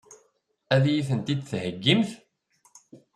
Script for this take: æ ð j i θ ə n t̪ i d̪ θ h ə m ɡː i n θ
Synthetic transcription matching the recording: æ ð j i θ ə n t̪ i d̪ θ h ə ɡː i m θ